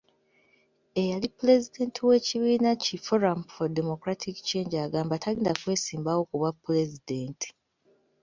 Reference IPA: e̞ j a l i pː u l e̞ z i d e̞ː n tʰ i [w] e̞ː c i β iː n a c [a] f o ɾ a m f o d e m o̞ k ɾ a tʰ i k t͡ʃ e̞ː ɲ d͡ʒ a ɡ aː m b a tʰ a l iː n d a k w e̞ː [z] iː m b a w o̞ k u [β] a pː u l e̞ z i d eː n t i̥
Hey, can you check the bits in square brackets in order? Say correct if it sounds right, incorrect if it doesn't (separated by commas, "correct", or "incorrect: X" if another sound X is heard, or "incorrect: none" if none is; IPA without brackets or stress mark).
correct, incorrect: i, incorrect: s, correct